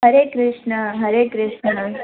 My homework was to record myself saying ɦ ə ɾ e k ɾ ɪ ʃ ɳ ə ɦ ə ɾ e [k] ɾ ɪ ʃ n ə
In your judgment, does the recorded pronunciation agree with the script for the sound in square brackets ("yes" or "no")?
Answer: yes